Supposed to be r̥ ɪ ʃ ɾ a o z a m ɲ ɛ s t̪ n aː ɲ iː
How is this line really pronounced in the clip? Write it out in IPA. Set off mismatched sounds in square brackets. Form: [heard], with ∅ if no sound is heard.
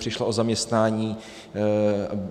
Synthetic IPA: r̥ ɪ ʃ [l] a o z a m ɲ ɛ s t̪ n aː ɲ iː